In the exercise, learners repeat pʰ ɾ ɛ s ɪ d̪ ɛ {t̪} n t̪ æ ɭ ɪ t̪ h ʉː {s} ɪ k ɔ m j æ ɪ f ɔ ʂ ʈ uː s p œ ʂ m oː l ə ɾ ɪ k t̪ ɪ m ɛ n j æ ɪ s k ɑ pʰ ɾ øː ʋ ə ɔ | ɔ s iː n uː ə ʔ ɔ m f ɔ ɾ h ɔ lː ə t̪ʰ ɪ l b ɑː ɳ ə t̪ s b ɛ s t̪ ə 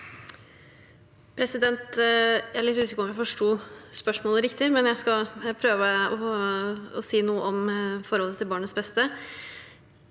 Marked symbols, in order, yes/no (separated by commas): no, yes